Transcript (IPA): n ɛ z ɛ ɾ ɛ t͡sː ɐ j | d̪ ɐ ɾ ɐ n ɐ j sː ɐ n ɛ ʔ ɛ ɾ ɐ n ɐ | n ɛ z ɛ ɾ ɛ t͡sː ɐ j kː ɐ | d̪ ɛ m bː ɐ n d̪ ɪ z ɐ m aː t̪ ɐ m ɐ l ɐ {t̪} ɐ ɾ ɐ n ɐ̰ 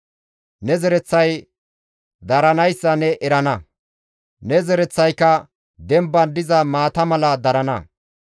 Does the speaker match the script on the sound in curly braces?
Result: no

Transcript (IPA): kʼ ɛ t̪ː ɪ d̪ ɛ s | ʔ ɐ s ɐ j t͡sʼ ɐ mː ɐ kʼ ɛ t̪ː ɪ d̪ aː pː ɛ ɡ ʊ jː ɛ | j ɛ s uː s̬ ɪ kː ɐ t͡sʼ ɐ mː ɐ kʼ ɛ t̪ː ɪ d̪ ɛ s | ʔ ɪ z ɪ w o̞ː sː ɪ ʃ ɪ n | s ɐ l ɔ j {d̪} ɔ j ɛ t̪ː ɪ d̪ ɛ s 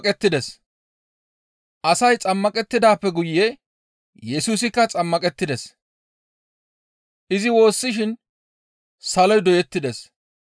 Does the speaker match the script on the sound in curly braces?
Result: yes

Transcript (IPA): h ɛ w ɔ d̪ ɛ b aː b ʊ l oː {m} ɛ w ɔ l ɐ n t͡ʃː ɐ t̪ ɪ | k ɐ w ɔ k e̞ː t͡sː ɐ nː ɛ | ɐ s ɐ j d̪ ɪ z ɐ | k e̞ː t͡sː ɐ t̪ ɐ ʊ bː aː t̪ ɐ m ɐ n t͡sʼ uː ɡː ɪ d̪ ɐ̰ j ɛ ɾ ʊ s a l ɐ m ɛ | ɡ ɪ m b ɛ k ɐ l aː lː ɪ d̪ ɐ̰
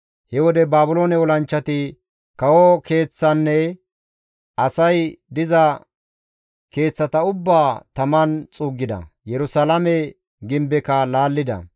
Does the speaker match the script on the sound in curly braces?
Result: no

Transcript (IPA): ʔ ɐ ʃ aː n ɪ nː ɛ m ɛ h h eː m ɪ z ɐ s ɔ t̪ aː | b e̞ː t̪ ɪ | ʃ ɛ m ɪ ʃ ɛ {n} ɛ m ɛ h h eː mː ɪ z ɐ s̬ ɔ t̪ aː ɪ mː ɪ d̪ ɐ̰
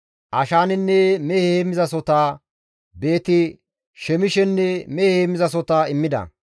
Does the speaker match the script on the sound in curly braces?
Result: no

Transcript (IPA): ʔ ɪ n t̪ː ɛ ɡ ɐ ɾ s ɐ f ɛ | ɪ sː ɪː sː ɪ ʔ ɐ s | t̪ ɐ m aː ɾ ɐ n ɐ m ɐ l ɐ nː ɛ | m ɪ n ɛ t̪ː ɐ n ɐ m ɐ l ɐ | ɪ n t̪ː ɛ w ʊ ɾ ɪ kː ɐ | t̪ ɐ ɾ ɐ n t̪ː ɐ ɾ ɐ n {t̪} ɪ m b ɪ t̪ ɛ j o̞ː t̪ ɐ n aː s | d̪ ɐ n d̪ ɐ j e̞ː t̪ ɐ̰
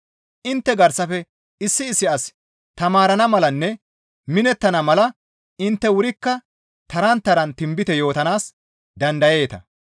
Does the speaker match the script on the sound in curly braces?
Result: yes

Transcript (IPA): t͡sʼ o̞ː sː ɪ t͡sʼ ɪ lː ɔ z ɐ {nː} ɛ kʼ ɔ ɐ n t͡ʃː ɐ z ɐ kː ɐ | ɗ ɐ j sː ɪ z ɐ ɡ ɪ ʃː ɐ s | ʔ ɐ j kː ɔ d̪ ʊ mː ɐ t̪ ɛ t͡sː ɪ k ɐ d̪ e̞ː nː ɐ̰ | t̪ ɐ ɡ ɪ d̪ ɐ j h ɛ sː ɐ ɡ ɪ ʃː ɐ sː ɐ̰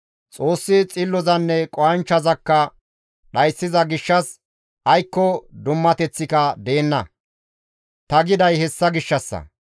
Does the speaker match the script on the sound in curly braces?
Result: yes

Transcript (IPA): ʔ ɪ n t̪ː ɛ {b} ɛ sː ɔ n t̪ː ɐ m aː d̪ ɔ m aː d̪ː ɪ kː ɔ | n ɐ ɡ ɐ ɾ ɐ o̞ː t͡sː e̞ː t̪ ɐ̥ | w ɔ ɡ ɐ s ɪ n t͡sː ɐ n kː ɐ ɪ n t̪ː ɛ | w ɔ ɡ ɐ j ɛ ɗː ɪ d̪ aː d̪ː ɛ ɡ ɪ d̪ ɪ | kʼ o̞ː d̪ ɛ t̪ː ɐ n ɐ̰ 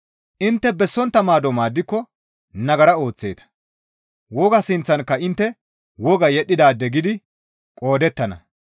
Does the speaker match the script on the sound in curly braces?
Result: yes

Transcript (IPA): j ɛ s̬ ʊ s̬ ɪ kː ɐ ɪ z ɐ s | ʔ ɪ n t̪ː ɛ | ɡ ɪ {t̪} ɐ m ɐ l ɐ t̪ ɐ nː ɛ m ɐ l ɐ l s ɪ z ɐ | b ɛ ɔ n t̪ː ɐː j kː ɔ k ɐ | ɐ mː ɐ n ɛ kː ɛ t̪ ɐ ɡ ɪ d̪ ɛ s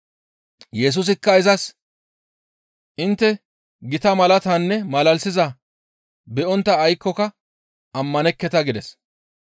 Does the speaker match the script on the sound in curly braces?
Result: yes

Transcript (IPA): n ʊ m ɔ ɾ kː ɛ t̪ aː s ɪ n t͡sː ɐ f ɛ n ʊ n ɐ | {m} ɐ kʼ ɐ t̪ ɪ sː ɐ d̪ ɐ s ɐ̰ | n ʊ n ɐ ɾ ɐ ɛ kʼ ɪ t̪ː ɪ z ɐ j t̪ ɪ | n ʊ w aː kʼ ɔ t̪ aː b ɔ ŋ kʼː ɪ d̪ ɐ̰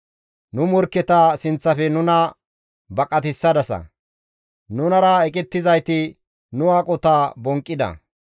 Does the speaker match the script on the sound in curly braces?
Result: no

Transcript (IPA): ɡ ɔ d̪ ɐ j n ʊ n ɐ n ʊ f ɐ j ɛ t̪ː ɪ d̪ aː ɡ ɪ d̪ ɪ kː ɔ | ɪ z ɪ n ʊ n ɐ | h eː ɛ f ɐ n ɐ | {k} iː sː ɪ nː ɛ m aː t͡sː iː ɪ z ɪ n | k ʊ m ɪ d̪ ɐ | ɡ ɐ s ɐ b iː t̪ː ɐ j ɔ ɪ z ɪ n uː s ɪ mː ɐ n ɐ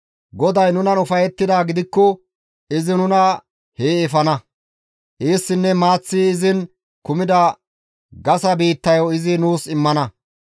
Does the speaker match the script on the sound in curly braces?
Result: no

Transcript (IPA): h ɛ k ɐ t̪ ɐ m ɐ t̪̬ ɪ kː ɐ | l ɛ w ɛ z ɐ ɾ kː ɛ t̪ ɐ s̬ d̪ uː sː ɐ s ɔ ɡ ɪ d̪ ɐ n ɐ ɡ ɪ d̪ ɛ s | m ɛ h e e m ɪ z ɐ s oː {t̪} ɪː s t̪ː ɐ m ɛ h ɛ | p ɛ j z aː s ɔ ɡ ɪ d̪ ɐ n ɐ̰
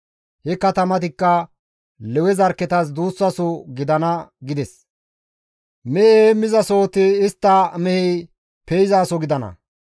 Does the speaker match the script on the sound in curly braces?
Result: yes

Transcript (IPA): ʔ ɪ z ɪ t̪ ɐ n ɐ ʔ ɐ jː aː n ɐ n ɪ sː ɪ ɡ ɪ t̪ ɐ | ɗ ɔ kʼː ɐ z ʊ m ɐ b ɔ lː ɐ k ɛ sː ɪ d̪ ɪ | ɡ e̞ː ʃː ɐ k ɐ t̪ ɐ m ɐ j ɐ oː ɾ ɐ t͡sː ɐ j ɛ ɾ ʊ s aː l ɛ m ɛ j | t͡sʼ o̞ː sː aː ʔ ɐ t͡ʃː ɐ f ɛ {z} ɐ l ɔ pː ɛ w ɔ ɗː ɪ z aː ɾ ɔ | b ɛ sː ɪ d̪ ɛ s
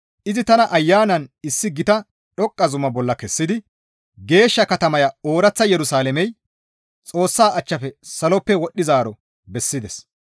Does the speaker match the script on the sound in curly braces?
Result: no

